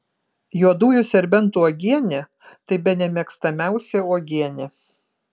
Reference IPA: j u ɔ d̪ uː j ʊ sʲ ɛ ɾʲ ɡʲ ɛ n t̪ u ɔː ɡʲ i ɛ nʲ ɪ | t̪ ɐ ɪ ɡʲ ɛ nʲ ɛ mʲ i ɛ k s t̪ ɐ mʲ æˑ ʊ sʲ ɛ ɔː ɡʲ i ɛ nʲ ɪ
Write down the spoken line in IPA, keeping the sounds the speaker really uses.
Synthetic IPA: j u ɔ d̪ uː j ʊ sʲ ɛ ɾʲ bʲ ɛ n t̪ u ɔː ɡʲ i ɛ nʲ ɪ | t̪ ɐ ɪ bʲ ɛ nʲ ɛ mʲ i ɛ k s t̪ ɐ mʲ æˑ ʊ sʲ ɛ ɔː ɡʲ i ɛ nʲ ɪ

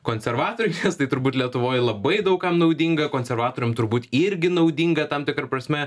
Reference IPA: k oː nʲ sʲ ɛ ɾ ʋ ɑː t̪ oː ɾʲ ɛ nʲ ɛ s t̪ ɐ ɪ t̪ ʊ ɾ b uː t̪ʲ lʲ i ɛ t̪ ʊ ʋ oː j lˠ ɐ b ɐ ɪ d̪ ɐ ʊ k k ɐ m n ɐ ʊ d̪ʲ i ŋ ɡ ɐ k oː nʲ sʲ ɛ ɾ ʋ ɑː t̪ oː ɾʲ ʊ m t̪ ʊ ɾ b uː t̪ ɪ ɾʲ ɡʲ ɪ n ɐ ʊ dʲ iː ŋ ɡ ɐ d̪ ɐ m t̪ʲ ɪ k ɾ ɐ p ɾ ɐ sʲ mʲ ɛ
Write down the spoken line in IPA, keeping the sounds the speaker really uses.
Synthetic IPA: k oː nʲ sʲ ɛ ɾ ʋ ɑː t̪ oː ɾʲ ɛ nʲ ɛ s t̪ ɐ ɪ t̪ ʊ ɾ b uː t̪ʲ lʲ i ɛ t̪ ʊ ʋ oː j lˠ ɐ b ɐ ɪ d̪ ɐ ʊ k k ɐ m n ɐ ʊ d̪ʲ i ŋ ɡ ɐ k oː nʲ sʲ ɛ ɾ ʋ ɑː t̪ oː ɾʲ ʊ m t̪ ʊ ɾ b uː t̪ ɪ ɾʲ ɡʲ ɪ n ɐ ʊ dʲ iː ŋ ɡ ɐ t̪ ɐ m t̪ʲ ɪ k ɾ ɐ p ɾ ɐ sʲ mʲ ɛ

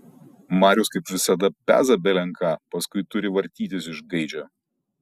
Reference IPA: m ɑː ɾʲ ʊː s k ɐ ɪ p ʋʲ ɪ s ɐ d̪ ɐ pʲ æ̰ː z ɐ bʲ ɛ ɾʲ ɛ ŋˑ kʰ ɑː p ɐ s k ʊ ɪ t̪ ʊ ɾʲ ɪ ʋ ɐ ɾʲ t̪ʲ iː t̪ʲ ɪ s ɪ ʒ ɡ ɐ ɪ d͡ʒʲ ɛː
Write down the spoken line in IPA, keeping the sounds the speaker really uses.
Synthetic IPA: m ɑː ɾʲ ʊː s k ɐ ɪ p ʋʲ ɪ s ɐ d̪ ɐ pʲ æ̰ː z ɐ bʲ ɛ lʲ ɛ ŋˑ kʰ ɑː p ɐ s k ʊ ɪ t̪ ʊ ɾʲ ɪ ʋ ɐ ɾʲ t̪ʲ iː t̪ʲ ɪ s ɪ ʒ ɡ ɐ ɪ d͡ʒʲ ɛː

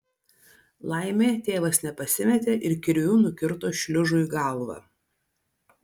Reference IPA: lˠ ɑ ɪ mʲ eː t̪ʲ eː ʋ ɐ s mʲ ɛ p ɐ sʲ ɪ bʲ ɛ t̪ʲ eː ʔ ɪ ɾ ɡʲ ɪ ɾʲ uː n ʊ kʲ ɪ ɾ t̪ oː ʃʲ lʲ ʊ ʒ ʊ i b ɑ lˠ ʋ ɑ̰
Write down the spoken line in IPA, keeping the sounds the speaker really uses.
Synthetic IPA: lˠ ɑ ɪ mʲ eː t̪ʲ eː ʋ ɐ s nʲ ɛ p ɐ sʲ ɪ mʲ ɛ t̪ʲ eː ʔ ɪ ɾ kʲ ɪ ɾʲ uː n ʊ kʲ ɪ ɾ t̪ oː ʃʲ lʲ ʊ ʒ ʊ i ɡ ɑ lˠ ʋ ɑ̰

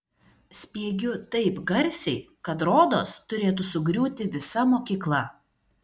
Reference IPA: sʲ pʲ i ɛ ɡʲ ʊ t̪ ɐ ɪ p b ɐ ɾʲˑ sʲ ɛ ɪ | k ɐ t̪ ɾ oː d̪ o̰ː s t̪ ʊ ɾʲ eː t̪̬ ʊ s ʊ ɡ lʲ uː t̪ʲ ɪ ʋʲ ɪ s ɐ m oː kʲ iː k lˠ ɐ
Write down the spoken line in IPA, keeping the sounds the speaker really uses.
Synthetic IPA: sʲ pʲ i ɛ ɡʲ ʊ t̪ ɐ ɪ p ɡ ɐ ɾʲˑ sʲ ɛ ɪ | k ɐ t̪ ɾ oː d̪ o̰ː s t̪ ʊ ɾʲ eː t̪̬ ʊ s ʊ ɡ ɾʲ uː t̪ʲ ɪ ʋʲ ɪ s ɐ m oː kʲ iː k lˠ ɐ

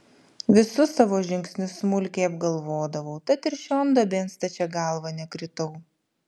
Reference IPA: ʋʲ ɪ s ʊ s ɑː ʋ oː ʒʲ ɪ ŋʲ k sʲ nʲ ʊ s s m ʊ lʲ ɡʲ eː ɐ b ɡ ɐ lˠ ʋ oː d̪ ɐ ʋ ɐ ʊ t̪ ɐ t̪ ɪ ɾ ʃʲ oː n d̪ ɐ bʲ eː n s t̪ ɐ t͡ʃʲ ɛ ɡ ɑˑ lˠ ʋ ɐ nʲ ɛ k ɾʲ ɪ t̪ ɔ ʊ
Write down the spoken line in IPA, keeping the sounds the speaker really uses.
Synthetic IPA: ʋʲ ɪ s ʊ s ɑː ʋ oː ʒʲ ɪ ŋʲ k sʲ nʲ ʊ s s m ʊ lʲ kʲ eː ɐ b ɡ ɐ lˠ ʋ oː d̪ ɐ ʋ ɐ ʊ t̪ ɐ t̪ ɪ ɾ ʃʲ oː n d̪ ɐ bʲ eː n s t̪ ɐ t͡ʃʲ ɛ ɡ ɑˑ lˠ ʋ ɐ nʲ ɛ k ɾʲ ɪ t̪ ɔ ʊ

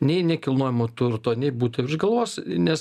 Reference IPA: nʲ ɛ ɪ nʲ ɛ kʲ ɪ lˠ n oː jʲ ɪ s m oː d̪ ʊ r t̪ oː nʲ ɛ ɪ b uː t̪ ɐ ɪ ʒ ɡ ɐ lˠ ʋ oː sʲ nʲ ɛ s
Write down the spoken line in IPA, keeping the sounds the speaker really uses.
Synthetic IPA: nʲ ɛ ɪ nʲ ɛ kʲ ɪ lˠ n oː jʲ ɪ m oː t̪ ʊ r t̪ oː nʲ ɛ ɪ b uː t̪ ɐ ɪ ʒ ɡ ɐ lˠ ʋ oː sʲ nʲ ɛ s

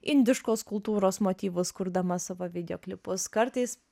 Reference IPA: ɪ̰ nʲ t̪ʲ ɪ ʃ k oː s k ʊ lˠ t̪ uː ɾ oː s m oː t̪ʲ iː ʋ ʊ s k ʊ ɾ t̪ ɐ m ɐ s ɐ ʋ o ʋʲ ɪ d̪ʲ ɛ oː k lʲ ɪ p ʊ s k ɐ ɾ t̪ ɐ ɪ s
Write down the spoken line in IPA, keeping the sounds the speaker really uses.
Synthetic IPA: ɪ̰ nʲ d̪ʲ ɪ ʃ k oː s k ʊ lˠ t̪ uː ɾ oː s m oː t̪ʲ iː ʋ ʊ s k ʊ ɾ d̪ ɐ m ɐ s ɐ ʋ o ʋʲ ɪ d̪ʲ ɛ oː k lʲ ɪ p ʊ s k ɐ ɾ t̪ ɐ ɪ s

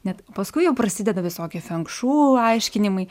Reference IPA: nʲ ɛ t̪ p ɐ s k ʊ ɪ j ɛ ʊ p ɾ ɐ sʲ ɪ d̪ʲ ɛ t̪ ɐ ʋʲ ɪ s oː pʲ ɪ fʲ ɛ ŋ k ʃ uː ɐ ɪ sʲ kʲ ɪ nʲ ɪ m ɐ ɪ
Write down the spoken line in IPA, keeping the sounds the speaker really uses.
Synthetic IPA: nʲ ɛ t̪ p ɐ s k ʊ ɪ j ɛ ʊ p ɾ ɐ sʲ ɪ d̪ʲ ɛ d̪ ɐ ʋʲ ɪ s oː kʲ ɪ fʲ ɛ ŋ k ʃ uː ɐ ɪ ʃʲ kʲ ɪ nʲ ɪ m ɐ ɪ

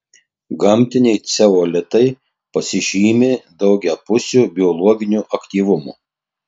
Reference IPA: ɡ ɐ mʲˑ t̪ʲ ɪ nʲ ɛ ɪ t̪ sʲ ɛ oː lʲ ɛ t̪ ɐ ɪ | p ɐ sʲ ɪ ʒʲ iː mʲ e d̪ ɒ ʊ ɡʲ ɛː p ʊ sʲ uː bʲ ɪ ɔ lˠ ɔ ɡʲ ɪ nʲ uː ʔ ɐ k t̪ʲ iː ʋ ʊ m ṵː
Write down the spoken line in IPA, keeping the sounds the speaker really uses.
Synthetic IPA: ɡ ɐ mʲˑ t̪ʲ ɪ nʲ ɛ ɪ t̪ sʲ ɛ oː lʲ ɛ t̪ ɐ ɪ | p ɐ sʲ ɪ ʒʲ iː mʲ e d̪ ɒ ʊ ɡʲ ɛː p ʊ sʲ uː bʲ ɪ ɔ lˠ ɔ ɡʲ ɪ nʲ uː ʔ ɐ k t̪ʲ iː ʋ ʊ m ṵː

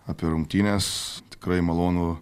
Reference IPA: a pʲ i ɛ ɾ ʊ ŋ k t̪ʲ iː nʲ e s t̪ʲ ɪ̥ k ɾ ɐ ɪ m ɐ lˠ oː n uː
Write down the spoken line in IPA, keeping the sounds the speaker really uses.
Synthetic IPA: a pʲ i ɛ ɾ ʊ ŋ k t̪ʲ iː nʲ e s t̪ʲ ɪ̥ k ɾ ɐ ɪ m ɐ lˠ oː n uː

